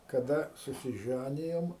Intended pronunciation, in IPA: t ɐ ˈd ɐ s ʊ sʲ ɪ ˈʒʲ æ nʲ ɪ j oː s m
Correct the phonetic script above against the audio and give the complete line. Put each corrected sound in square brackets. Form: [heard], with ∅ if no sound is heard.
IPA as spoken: [k] ɐ ˈd ɐ s ʊ sʲ ɪ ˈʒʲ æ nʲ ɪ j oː [∅] m